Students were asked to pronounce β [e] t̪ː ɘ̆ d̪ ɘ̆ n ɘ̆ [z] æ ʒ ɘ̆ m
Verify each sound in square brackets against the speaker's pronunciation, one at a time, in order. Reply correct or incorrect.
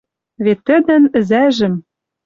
correct, correct

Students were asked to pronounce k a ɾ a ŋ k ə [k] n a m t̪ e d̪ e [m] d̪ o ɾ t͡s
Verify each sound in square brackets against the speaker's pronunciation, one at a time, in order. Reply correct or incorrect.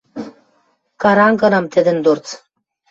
incorrect: none, incorrect: n

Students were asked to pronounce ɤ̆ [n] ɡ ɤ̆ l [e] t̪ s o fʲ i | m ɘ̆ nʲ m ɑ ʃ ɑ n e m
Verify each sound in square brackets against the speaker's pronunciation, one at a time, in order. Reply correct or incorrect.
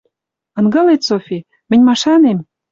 correct, correct

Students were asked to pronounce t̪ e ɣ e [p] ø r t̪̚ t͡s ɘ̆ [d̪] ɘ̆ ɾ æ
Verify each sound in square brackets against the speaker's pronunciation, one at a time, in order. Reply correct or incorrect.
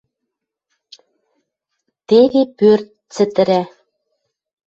correct, incorrect: t̪

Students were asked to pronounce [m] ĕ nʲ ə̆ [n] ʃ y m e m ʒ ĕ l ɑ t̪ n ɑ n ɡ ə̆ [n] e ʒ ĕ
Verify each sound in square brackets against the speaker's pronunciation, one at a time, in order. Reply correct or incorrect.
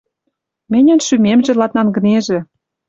correct, correct, correct

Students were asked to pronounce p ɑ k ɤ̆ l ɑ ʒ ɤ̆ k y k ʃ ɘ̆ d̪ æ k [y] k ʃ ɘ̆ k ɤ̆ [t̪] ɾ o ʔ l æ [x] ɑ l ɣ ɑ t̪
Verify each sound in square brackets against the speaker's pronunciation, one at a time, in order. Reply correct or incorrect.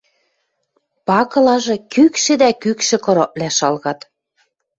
correct, incorrect: none, incorrect: ʃ

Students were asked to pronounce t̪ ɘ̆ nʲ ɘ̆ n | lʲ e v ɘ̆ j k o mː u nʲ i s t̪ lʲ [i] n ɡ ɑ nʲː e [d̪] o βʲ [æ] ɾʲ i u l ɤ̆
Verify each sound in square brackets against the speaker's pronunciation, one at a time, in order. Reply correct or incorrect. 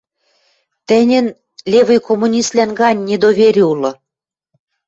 incorrect: æ, correct, incorrect: e

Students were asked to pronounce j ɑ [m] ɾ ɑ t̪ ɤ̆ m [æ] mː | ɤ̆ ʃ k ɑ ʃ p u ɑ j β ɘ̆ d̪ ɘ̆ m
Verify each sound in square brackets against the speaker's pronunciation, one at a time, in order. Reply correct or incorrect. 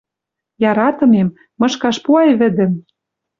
incorrect: none, incorrect: e

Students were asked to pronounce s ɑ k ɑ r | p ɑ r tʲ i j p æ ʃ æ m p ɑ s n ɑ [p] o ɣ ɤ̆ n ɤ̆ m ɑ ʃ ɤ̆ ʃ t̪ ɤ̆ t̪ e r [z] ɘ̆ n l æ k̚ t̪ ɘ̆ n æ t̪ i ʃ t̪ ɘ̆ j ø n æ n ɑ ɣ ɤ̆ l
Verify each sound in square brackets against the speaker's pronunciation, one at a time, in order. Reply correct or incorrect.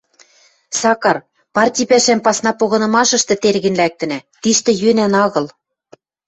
correct, incorrect: ɣ

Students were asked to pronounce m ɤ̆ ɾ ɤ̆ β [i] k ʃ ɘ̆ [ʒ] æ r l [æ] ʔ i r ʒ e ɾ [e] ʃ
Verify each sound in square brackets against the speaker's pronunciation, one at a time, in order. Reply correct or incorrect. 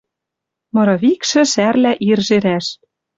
correct, incorrect: ʃ, correct, incorrect: æ

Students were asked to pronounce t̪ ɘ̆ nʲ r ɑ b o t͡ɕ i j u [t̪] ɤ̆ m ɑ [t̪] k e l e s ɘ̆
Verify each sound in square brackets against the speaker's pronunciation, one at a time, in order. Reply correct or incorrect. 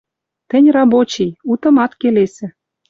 correct, correct

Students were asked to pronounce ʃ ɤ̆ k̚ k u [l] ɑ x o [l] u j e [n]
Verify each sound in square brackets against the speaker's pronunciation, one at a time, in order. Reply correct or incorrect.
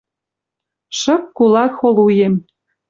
correct, correct, incorrect: m

